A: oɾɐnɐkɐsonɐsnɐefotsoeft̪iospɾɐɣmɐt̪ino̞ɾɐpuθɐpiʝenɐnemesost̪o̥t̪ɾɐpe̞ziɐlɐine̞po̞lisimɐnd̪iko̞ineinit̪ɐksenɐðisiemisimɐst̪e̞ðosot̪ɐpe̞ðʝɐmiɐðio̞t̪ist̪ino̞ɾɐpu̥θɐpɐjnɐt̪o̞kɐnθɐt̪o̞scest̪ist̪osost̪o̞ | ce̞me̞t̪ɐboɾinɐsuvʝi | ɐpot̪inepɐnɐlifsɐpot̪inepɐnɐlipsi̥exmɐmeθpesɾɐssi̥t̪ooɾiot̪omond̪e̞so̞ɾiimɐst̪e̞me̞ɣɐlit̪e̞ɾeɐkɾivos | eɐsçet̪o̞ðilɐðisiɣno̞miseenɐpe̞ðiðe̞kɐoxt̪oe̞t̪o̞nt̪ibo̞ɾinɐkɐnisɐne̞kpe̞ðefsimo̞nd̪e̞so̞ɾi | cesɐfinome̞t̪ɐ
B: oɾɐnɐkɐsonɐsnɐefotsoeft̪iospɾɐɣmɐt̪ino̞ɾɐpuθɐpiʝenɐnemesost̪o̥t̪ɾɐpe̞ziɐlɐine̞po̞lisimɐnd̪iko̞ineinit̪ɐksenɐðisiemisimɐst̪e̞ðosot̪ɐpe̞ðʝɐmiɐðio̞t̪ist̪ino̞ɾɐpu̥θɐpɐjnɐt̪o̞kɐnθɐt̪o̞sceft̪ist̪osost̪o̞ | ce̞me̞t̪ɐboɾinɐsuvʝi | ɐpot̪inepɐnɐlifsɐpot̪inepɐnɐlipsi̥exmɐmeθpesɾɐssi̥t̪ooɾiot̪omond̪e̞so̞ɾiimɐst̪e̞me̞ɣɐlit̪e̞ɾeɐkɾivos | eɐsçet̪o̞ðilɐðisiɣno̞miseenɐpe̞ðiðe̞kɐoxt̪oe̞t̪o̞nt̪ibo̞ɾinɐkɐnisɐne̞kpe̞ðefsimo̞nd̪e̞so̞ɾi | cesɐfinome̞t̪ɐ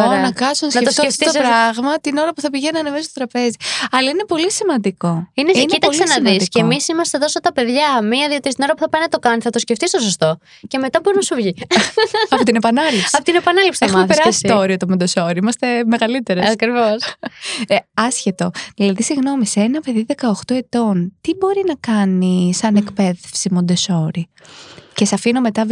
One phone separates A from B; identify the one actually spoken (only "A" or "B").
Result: B